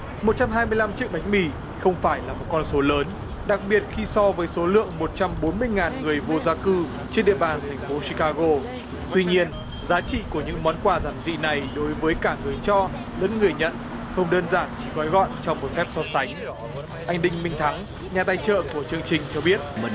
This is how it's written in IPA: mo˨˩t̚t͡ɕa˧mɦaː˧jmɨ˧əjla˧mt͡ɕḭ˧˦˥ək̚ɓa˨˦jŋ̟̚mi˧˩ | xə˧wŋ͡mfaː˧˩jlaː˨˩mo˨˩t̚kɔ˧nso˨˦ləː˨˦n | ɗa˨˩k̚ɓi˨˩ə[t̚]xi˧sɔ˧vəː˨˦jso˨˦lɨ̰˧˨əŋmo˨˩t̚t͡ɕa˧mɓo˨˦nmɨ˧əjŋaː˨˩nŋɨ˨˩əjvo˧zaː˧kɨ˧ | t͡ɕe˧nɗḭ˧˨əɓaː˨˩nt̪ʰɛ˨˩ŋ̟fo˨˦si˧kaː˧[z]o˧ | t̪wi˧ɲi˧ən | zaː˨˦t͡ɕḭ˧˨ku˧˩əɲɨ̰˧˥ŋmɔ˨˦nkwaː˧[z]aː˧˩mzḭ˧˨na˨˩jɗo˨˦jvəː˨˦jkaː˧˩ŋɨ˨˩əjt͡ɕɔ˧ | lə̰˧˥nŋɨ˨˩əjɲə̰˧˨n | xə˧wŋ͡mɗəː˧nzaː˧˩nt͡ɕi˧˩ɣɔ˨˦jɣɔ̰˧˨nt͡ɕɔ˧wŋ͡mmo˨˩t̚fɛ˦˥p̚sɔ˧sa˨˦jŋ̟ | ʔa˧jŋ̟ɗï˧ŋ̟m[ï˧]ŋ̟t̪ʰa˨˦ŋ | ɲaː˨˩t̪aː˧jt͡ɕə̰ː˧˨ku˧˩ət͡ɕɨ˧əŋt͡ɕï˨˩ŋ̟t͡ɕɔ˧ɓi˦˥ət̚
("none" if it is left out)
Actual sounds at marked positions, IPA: t̚, ɣ, z, ï˧

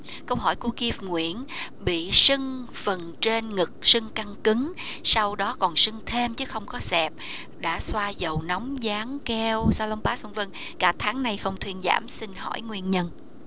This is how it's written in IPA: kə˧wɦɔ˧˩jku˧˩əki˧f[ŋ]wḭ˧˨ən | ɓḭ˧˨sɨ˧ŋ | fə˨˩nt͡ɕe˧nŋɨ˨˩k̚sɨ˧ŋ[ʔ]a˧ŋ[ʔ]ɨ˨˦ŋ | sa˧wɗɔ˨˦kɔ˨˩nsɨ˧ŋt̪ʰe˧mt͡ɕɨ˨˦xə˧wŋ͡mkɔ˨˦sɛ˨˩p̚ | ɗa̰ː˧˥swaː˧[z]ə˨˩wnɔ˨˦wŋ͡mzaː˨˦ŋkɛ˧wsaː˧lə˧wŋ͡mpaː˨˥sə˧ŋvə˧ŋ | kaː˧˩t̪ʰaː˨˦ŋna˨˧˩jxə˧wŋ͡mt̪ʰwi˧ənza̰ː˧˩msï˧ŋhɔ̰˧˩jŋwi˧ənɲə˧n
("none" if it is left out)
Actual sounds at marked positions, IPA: ŋ, k, k, z

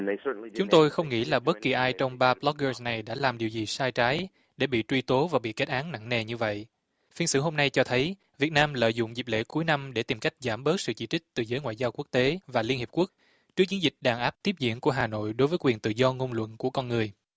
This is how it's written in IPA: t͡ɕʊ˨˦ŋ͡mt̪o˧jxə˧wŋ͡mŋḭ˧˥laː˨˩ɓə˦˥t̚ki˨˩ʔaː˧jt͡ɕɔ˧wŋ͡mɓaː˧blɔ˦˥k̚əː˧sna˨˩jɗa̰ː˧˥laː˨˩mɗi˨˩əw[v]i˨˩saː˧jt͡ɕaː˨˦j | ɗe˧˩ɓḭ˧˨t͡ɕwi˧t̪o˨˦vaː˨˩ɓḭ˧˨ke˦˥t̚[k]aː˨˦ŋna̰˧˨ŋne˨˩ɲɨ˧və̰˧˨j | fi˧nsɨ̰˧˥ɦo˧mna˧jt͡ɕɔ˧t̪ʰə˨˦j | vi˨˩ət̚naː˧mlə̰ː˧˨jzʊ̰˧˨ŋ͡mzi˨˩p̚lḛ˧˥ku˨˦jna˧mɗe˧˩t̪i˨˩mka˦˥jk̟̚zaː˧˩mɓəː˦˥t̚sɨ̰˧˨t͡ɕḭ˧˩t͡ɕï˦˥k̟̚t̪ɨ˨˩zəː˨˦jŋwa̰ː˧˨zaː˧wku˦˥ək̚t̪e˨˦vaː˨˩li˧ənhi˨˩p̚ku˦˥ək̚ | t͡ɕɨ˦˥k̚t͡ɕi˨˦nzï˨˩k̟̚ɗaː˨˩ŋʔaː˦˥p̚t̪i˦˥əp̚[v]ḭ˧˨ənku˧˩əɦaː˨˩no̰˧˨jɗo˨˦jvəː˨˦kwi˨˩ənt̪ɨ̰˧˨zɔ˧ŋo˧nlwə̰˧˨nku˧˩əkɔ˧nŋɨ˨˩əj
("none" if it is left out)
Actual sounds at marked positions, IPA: z, ʔ, z

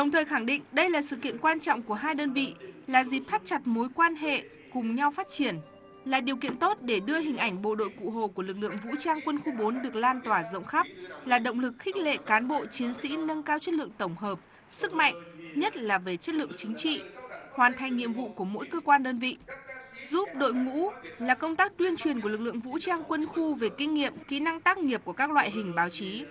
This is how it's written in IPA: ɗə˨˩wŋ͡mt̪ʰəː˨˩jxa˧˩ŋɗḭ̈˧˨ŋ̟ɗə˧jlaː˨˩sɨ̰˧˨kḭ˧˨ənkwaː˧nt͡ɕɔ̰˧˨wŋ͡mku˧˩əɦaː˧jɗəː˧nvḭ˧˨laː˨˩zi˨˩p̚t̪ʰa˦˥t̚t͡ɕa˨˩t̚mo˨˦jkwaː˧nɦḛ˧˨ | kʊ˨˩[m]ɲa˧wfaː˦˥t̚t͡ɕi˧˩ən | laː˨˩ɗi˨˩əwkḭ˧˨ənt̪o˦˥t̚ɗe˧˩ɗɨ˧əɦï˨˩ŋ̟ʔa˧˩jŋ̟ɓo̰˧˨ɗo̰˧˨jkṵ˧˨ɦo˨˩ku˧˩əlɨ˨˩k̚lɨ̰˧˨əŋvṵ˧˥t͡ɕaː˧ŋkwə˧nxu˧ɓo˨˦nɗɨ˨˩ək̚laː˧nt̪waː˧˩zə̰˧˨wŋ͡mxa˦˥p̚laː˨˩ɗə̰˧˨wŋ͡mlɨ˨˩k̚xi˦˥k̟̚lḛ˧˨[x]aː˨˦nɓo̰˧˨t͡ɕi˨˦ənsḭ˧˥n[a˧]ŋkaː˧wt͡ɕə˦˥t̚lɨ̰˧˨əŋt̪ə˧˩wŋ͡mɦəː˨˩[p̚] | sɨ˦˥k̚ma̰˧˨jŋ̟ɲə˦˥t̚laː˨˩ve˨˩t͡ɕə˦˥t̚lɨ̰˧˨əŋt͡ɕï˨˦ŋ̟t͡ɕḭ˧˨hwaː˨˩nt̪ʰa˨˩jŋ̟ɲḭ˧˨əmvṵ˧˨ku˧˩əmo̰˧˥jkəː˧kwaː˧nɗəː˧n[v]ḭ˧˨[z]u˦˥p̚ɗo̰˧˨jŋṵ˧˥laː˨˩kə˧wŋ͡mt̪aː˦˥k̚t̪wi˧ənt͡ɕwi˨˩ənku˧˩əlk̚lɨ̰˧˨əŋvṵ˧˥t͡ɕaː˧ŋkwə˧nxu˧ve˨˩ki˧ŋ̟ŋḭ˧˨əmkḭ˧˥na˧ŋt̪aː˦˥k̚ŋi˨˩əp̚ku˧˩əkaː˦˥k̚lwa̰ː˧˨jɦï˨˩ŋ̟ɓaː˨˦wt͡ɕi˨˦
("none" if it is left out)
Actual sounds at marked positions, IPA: ŋ͡m, k, ə˧, p̚, v, z

